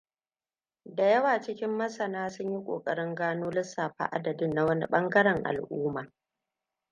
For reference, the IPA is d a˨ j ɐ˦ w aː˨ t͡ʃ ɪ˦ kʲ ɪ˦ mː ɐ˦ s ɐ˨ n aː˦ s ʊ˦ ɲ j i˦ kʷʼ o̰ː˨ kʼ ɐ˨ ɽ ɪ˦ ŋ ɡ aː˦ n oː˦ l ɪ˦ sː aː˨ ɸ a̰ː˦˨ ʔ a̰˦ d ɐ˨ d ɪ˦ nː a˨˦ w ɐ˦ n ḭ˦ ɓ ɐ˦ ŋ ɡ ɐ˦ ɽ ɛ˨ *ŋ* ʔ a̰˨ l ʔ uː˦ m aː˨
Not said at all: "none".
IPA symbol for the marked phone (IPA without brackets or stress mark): ŋ